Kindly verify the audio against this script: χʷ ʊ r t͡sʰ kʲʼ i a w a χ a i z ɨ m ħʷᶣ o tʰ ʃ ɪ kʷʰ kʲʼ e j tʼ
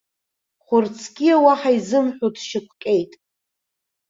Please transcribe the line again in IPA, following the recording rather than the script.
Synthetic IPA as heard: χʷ ʊ r t͡sʰ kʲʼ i a w a ħ a i z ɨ m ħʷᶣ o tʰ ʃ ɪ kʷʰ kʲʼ e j tʼ